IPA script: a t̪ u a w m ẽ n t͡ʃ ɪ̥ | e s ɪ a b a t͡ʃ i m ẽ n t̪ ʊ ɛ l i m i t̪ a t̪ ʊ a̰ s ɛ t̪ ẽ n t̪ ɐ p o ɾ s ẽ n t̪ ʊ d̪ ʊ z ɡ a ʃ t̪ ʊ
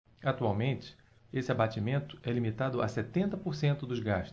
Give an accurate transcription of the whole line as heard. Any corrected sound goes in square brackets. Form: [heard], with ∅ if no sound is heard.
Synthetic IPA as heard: a t̪ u a w m ẽ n t͡ʃ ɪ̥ | e s ɪ a b a t͡ʃ i m ẽ n t̪ ʊ ɛ l i m i t̪ a [d̪] ʊ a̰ s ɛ t̪ ẽ n t̪ ɐ p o ɾ s ẽ n t̪ ʊ d̪ ʊ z ɡ a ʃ t̪ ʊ

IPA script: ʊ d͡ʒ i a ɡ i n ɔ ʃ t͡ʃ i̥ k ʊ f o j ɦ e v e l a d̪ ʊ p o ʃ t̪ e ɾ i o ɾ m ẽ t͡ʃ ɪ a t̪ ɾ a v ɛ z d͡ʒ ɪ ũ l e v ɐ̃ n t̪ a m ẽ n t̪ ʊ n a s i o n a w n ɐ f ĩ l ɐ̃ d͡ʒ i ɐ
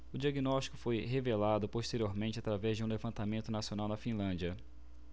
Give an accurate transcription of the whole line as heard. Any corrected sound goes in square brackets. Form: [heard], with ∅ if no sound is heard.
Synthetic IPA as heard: ʊ d͡ʒ i a ɡ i n ɔ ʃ t͡ʃ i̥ k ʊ f o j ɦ e v e l a d̪ ʊ p o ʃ t̪ e ɾ i o ɾ m ẽ t͡ʃ ɪ a t̪ ɾ a v ɛ z d͡ʒ ɪ ũ l e v ɐ̃ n t̪ a m ẽ n t̪ ʊ n a s i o n a w n ɐ f ĩ l ɐ̃ d͡ʒ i ɐ

